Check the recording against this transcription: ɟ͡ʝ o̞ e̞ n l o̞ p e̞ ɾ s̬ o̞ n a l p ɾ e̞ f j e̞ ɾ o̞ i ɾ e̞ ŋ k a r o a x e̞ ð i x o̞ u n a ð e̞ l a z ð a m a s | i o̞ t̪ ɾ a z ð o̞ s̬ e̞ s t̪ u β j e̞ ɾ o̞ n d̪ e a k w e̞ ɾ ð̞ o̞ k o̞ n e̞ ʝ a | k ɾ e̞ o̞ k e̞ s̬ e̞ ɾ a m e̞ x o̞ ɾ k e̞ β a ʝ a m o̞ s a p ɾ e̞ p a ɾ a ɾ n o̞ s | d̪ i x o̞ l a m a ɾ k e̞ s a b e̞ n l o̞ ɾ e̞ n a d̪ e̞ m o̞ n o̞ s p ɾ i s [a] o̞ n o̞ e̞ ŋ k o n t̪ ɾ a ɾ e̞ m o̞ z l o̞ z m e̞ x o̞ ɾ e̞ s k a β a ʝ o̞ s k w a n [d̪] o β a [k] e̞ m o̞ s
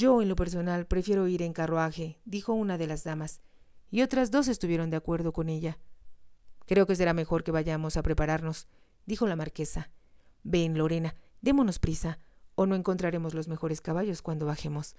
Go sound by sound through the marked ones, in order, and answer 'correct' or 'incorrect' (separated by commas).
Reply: correct, correct, incorrect